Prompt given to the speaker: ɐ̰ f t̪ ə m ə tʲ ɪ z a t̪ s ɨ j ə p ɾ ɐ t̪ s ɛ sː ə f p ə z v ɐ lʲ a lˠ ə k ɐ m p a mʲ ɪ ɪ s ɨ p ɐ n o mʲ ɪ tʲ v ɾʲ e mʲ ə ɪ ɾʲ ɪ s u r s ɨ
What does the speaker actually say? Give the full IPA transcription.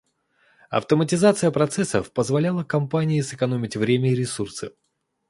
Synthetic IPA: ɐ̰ f t̪ ə m ə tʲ ɪ z a t̪ s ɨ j ə p ɾ ɐ t̪ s ɛ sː ə f p ə z v ɐ lʲ a lˠ ə k ɐ m p a nʲ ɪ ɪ s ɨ k ɐ n o mʲ ɪ tʲ v ɾʲ e mʲ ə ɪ ɾʲ ɪ s u r s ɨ